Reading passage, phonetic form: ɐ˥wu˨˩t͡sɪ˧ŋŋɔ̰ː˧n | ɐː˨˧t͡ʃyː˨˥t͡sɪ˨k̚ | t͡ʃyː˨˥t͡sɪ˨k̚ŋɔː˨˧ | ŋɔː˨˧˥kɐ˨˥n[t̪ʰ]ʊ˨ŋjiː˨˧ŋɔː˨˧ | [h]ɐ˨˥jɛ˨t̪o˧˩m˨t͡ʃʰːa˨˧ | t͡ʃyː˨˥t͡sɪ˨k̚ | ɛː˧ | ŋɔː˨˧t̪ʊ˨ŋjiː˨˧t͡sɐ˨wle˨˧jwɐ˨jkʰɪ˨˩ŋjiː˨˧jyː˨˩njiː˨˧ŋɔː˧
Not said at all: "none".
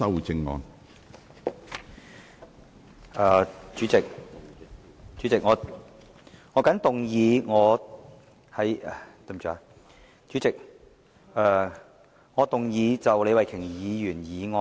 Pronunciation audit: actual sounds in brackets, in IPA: t̪, h

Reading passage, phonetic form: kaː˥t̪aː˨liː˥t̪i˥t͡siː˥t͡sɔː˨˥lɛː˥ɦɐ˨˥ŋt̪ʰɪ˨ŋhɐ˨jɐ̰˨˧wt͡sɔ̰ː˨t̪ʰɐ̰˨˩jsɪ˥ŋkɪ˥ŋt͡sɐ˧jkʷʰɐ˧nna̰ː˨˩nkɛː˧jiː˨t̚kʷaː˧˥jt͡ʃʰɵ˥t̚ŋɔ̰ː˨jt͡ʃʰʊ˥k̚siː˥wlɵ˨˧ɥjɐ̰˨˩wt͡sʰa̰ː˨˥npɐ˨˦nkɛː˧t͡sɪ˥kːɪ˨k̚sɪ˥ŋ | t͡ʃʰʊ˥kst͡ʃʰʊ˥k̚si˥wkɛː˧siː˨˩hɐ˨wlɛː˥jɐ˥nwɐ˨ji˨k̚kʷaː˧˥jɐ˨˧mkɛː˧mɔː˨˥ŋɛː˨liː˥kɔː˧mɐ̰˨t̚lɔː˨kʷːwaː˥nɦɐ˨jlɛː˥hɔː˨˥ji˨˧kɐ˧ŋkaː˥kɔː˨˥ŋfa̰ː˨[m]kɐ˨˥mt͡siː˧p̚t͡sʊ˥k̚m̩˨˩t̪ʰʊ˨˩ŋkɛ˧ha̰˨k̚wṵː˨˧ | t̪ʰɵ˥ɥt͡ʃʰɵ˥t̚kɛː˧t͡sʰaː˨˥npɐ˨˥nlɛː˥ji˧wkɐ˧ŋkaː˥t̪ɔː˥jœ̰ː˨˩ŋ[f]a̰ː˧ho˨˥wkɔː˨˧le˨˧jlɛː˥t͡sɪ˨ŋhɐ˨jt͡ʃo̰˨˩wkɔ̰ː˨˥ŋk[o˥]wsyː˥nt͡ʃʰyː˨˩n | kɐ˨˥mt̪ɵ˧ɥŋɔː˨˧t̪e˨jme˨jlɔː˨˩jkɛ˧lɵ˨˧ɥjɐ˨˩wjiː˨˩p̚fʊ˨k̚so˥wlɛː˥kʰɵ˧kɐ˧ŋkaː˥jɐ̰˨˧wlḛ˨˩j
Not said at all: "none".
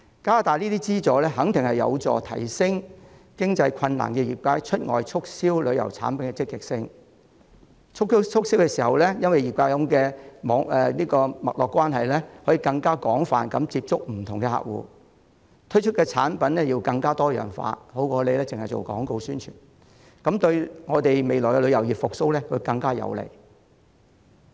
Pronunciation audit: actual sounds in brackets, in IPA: n, f, o˧

